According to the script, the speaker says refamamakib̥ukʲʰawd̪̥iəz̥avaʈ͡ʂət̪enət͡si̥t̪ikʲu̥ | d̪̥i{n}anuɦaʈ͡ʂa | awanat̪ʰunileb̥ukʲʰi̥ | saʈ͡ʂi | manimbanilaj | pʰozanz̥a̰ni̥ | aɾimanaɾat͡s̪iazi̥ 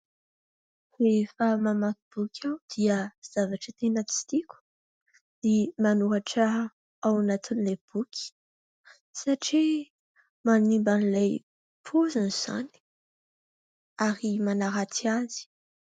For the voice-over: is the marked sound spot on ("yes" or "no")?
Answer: no